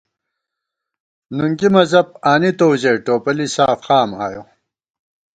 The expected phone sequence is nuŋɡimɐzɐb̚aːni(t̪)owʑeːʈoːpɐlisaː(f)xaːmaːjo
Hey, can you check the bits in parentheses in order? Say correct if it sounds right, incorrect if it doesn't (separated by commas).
correct, correct